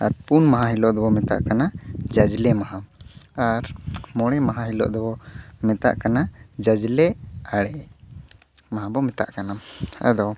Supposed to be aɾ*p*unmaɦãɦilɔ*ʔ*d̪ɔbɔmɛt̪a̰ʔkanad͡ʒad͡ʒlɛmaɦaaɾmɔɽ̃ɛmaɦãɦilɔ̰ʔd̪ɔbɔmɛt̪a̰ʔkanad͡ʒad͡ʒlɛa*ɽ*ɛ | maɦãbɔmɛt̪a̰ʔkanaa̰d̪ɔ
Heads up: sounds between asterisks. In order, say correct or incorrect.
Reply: correct, correct, correct

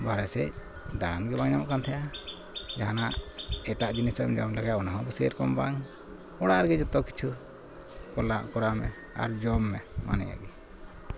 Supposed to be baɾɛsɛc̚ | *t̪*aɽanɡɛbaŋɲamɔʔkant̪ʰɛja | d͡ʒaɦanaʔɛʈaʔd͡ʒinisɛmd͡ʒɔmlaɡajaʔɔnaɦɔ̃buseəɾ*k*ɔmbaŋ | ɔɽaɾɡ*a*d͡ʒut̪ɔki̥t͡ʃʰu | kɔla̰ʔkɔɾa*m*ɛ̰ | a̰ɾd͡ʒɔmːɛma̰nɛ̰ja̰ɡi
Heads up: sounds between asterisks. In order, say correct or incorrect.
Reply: incorrect, correct, incorrect, correct

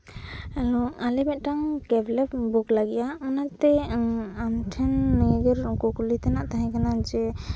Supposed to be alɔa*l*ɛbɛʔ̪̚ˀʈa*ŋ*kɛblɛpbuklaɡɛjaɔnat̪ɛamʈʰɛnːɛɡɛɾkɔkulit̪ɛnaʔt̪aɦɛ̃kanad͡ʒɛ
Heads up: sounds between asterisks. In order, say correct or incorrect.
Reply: correct, correct

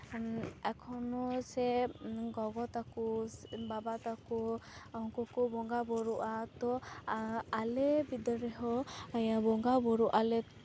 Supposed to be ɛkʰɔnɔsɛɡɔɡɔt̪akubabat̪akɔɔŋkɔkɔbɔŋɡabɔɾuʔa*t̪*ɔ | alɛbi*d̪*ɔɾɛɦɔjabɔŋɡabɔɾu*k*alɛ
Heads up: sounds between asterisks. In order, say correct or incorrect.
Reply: correct, correct, incorrect

